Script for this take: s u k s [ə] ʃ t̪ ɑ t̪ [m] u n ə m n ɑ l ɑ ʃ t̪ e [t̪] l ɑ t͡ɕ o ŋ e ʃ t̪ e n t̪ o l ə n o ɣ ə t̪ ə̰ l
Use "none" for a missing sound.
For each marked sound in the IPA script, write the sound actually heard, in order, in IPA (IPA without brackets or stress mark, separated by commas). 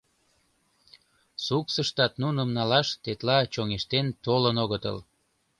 ə, n, t̪